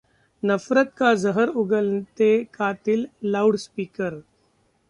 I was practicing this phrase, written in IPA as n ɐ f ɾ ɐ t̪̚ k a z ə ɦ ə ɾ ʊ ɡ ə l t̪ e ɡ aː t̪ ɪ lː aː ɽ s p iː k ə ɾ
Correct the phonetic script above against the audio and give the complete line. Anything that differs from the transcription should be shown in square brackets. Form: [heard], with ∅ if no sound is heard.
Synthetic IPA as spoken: n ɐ f ɾ [ə] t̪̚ k a z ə ɦ ə ɾ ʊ ɡ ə l t̪ e [k] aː t̪ ɪ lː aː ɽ s p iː k ə ɾ